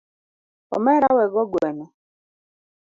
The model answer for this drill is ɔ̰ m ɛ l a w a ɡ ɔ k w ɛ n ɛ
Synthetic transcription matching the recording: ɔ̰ m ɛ ɾ a w ɛ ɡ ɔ ɡ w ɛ n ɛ